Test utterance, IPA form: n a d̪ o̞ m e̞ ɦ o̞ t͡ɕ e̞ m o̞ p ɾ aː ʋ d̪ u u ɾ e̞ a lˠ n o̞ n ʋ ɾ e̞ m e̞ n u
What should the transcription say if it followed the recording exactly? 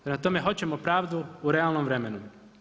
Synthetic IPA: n a t̪ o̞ m e̞ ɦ o̞ t͡ɕ e̞ m o̞ p ɾ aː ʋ d̪ u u ɾ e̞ a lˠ n o̞ m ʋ ɾ e̞ m e̞ n u